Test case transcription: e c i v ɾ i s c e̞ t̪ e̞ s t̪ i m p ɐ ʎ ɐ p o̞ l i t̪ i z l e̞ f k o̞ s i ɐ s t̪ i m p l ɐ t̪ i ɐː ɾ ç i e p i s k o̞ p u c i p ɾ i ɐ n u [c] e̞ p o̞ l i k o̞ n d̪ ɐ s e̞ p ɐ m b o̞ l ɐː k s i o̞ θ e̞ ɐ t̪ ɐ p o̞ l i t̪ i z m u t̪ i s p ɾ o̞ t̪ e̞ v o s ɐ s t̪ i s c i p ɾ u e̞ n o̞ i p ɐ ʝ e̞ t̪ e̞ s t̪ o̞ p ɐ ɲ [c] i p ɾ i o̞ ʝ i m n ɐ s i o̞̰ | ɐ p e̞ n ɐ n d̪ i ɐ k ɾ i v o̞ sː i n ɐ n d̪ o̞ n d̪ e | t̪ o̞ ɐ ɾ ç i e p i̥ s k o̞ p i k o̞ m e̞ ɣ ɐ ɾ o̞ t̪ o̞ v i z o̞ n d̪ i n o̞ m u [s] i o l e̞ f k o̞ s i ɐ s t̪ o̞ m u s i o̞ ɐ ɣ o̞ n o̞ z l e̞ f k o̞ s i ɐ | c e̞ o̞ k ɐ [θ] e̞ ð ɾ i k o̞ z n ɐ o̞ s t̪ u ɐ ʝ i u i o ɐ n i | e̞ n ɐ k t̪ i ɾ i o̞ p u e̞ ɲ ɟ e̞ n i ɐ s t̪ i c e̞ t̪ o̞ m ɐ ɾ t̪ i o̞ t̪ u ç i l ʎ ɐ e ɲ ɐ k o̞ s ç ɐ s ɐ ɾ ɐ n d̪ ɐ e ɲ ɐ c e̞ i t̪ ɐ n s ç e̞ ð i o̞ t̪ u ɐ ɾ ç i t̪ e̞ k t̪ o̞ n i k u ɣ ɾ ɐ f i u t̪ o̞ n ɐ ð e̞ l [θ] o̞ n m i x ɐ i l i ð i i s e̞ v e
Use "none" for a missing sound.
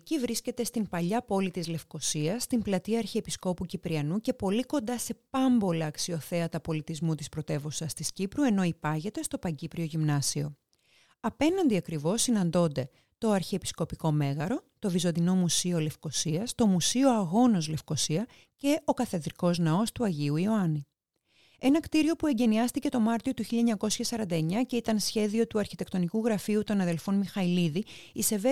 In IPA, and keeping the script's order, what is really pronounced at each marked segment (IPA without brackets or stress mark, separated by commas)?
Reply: c, ɟ, s, θ, f